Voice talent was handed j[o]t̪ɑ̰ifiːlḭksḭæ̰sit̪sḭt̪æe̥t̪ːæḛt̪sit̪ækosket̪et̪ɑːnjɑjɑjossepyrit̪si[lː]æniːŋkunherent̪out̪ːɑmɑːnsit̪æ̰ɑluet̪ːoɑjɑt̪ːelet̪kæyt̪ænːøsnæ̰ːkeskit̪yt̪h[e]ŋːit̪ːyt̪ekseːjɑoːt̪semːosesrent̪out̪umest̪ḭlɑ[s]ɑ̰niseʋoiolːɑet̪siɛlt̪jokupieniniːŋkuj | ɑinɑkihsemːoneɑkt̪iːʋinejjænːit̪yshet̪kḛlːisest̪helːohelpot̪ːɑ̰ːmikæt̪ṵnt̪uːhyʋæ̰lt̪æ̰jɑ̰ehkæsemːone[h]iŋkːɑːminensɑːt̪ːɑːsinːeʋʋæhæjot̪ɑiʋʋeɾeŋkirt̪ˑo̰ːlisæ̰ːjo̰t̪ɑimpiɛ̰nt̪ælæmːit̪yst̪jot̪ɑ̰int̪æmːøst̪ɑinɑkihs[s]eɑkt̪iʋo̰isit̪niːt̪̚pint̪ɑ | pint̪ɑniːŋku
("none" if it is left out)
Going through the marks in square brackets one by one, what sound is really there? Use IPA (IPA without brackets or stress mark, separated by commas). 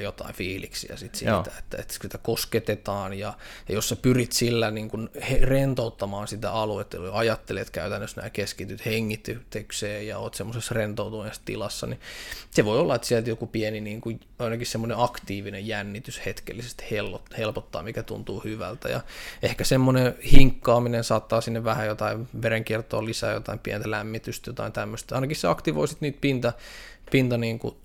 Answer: o, lː, e, sː, h, s